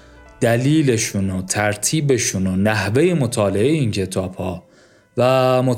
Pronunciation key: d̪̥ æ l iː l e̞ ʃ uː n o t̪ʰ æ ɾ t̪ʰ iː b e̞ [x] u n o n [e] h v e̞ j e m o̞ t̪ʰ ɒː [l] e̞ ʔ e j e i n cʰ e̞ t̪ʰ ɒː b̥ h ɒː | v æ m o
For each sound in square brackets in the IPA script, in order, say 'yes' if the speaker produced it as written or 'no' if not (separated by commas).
no, no, yes